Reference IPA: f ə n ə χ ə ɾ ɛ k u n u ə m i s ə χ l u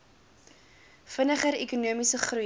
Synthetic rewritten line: f ə n ə χ ə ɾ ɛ k u n u ə m i s ə χ r u